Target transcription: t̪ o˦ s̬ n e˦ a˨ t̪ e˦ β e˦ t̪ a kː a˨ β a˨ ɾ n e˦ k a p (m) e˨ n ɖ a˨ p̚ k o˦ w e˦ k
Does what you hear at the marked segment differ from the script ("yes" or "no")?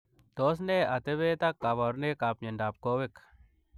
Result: yes